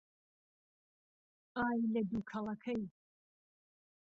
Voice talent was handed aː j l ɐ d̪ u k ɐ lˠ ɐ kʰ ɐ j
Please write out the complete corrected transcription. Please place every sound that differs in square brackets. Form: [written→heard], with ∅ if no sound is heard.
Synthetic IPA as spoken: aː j l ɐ d̪ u [k→kʰ] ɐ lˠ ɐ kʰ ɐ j